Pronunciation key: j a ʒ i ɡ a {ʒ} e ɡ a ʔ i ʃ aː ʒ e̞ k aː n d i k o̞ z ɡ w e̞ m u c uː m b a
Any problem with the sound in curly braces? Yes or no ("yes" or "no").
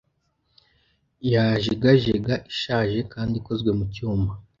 no